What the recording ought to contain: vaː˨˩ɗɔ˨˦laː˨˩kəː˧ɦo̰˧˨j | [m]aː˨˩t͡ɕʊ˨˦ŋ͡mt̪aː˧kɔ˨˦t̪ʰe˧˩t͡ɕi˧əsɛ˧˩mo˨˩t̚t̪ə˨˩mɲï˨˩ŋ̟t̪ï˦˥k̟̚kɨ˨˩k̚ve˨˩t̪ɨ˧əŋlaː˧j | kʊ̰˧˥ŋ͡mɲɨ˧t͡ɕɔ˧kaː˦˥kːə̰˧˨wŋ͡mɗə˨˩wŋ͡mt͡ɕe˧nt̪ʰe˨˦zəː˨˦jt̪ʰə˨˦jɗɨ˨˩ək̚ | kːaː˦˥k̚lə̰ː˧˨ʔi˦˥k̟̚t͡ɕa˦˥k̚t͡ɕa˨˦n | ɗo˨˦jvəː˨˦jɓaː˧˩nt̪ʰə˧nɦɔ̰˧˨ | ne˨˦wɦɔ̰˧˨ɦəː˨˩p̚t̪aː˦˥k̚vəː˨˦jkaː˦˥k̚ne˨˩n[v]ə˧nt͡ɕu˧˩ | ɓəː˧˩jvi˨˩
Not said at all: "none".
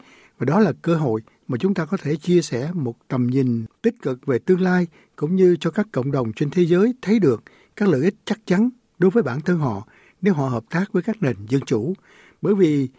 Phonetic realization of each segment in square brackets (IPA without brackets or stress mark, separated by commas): m, z